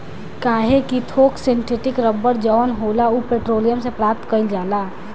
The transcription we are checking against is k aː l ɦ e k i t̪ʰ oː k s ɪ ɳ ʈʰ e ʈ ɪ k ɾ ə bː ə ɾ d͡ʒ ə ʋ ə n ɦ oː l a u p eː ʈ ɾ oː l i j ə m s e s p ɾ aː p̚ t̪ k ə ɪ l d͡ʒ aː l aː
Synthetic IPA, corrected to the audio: k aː ɦ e k i t̪ʰ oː k s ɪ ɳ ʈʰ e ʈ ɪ k ɾ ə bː ə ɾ d͡ʒ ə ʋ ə n ɦ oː l a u p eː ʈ ɾ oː l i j ə m s e p ɾ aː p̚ t̪ k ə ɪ l d͡ʒ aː l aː